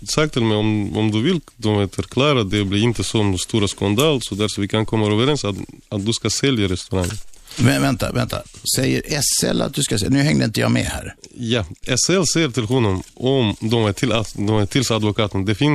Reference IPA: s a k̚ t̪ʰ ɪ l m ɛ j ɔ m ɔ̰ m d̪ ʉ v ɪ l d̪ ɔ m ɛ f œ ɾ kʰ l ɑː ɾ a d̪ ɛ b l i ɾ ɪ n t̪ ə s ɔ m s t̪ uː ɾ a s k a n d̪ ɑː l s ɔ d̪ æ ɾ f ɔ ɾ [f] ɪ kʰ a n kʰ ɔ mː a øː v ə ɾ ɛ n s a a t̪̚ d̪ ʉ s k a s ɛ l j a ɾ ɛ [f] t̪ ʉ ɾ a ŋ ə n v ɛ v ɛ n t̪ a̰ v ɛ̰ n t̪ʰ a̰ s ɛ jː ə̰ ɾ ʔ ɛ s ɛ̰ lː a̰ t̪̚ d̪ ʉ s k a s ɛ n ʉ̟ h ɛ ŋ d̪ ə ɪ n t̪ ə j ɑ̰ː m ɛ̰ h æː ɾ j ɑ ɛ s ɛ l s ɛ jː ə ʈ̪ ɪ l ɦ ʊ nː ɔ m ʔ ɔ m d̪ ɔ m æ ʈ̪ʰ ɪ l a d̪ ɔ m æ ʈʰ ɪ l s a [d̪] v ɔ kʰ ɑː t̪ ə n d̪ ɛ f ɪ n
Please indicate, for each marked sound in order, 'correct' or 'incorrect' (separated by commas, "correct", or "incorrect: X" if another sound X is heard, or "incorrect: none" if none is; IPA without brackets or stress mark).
incorrect: v, incorrect: s, correct